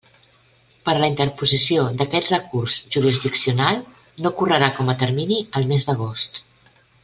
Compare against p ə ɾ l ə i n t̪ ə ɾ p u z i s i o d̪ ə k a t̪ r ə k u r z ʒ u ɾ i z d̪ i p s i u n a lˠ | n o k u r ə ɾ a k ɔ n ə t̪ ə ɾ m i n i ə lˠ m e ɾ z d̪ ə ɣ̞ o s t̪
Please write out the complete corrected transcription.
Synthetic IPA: p ə ɾ l ə i n t̪ ə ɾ p u z i s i o d̪ ə k ɛ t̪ r ə k u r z ʒ u ɾ i z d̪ i k s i u n a lˠ | n o k u r ə ɾ a k ɔ m ə t̪ ə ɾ m i n i ə lˠ m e z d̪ ə ɣ̞ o s t̪